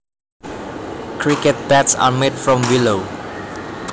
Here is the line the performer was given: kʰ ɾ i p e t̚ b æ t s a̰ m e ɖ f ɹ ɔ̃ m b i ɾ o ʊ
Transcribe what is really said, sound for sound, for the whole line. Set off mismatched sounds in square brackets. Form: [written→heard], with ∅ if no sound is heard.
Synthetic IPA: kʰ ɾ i [p→k] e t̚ b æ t s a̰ m e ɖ f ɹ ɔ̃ m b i [ɾ→l] o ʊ